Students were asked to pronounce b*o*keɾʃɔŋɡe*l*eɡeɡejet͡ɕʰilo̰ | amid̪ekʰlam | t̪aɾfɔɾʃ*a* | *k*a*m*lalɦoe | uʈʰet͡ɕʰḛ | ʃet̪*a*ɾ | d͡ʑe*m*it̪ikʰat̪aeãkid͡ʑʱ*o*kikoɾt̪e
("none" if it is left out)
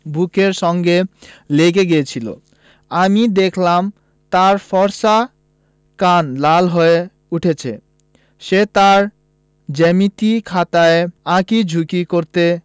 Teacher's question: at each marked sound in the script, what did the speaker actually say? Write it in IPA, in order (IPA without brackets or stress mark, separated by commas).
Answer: u, l, a, k, n, a, m, u